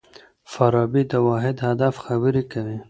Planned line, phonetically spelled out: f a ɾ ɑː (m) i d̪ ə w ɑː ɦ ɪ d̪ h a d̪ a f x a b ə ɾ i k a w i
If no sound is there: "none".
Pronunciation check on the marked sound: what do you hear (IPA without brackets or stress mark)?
b